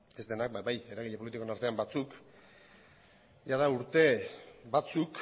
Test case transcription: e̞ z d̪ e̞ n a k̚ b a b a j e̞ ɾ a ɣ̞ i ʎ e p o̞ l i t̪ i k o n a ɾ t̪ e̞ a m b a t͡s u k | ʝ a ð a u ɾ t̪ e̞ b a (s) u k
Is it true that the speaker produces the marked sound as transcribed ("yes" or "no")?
no